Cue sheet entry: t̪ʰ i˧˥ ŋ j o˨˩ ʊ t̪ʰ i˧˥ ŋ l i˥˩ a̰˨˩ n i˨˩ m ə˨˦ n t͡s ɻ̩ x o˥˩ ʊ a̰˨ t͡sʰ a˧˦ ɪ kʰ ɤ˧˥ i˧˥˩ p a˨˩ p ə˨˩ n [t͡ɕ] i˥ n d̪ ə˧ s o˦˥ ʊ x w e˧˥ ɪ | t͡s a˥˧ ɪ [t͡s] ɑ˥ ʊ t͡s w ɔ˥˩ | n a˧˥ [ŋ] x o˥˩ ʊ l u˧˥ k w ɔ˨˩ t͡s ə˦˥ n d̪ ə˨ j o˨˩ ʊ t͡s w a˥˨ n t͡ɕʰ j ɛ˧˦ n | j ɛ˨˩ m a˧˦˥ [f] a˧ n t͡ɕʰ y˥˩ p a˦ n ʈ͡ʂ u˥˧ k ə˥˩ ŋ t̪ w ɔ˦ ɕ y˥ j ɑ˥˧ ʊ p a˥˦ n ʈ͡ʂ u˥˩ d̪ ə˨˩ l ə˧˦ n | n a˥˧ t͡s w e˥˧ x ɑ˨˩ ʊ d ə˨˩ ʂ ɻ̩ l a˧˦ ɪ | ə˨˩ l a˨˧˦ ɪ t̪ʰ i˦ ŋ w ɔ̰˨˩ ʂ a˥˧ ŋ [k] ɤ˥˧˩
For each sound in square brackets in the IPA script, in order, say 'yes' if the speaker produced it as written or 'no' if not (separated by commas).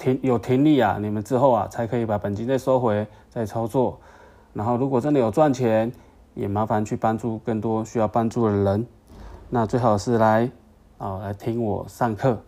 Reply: yes, no, no, yes, no